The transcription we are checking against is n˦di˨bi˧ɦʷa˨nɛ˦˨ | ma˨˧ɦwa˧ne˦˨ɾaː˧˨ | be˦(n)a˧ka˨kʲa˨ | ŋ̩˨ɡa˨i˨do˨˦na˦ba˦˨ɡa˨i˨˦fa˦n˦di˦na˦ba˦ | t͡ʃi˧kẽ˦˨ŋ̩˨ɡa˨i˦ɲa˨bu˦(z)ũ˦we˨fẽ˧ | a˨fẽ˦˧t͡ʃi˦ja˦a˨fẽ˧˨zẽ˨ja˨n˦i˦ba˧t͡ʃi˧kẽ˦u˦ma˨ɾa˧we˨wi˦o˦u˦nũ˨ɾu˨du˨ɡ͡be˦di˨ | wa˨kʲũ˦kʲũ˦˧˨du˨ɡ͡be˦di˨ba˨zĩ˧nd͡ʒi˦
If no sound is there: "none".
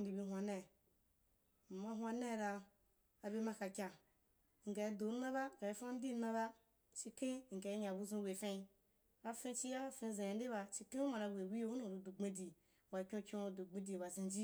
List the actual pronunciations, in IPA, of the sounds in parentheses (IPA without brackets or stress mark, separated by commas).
m, z